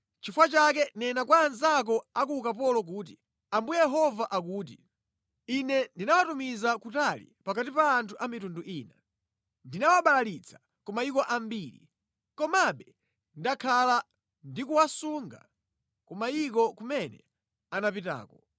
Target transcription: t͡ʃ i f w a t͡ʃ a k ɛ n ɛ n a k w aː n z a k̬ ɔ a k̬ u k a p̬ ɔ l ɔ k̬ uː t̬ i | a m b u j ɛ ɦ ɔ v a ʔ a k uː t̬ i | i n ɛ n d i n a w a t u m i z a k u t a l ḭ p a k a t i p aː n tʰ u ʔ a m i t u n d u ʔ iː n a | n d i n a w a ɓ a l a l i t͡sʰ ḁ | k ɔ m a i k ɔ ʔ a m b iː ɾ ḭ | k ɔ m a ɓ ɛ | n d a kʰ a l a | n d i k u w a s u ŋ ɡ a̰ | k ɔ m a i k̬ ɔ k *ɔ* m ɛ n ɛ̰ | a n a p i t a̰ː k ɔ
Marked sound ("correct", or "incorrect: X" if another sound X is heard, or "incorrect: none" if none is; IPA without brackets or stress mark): incorrect: u